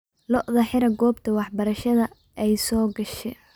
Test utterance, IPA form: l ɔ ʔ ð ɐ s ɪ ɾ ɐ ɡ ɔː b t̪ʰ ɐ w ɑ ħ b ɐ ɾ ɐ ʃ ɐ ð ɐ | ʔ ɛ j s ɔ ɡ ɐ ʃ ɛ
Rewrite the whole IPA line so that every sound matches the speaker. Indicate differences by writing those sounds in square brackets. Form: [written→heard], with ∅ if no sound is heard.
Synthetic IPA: l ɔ ʔ ð ɐ [s→ħ] ɪ ɾ ɐ ɡ ɔː b t̪ʰ ɐ w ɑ ħ b ɐ ɾ ɐ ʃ ɐ ð ɐ | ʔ ɛ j s [ɔ→ɔː] ɡ ɐ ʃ ɛ